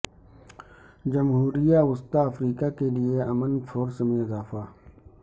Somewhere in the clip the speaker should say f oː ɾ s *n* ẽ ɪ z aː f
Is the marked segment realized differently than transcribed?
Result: yes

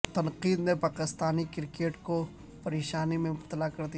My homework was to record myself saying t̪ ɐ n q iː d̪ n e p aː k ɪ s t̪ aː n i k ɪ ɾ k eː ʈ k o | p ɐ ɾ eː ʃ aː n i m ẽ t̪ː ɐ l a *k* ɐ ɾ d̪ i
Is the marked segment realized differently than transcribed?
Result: no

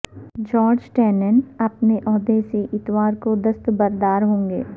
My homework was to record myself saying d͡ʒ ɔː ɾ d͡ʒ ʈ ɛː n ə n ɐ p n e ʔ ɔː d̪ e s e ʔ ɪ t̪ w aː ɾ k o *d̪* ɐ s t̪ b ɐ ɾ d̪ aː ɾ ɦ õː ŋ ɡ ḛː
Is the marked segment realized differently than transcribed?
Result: no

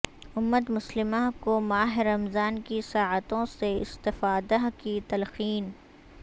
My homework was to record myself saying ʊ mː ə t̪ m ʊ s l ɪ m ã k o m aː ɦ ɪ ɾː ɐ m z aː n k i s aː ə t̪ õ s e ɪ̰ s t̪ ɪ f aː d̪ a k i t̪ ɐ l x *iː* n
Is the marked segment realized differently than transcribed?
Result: no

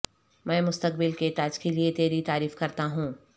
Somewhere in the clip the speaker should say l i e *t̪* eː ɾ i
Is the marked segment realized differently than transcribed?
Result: no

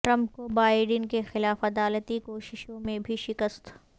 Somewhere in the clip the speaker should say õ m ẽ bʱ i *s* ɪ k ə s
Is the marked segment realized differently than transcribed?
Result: yes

